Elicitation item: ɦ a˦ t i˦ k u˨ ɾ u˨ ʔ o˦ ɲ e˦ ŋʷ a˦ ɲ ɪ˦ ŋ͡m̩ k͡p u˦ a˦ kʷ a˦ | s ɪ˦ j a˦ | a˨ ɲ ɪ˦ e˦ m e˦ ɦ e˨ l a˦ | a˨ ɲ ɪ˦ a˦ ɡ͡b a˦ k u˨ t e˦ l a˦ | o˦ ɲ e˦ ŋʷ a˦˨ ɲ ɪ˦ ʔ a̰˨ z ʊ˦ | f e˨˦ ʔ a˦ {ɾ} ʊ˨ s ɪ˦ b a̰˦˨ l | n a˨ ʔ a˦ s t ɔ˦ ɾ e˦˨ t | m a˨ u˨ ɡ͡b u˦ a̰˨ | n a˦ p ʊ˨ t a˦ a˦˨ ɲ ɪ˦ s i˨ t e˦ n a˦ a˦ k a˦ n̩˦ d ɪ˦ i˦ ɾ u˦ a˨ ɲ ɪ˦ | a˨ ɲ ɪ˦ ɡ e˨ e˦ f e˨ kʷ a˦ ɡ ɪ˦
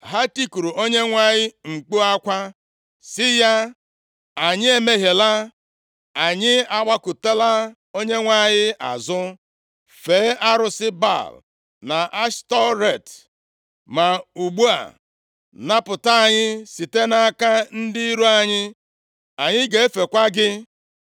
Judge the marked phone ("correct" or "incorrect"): correct